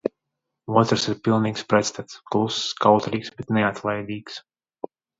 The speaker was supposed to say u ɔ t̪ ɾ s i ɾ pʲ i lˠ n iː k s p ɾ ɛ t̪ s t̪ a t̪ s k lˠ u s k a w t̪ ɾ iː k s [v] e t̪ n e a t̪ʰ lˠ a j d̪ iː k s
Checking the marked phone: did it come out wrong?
yes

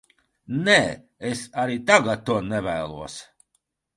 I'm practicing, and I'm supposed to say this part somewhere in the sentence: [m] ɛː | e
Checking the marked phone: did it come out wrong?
yes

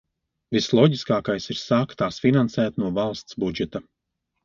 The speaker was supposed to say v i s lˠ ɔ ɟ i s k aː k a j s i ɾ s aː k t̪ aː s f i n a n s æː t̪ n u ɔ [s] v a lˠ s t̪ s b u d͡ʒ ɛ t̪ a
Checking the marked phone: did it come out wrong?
yes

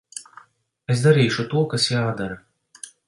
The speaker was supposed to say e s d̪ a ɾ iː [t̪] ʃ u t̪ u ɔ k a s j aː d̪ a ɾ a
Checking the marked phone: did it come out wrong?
yes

